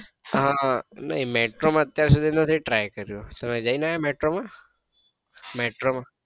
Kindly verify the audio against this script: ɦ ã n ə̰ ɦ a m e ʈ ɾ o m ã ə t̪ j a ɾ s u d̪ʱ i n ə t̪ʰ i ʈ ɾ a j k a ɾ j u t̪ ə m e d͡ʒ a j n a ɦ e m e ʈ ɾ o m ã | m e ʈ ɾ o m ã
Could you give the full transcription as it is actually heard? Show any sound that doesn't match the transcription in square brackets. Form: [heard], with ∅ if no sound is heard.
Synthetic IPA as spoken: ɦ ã n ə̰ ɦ [i] m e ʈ ɾ o m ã ə t̪ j a ɾ s u d̪ʱ i n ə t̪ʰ i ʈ ɾ a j k [ə] ɾ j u t̪ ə m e d͡ʒ a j n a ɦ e m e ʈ ɾ o m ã | m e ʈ ɾ o m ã